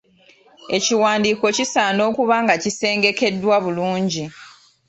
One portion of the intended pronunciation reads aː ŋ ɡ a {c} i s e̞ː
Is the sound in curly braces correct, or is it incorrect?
correct